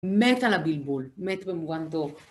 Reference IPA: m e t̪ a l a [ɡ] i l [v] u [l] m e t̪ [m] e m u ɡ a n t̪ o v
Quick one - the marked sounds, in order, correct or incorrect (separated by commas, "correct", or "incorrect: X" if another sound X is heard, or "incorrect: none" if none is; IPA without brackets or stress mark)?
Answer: incorrect: b, incorrect: b, correct, incorrect: b